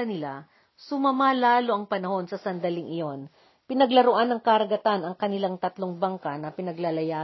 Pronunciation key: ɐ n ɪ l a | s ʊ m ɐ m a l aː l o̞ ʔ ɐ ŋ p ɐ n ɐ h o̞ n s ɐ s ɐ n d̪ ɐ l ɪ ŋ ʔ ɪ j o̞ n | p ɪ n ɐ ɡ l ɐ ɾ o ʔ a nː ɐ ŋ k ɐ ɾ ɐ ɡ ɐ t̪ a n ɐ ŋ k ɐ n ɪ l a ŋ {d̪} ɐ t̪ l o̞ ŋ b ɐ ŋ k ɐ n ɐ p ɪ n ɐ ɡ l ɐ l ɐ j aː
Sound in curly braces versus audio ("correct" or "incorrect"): incorrect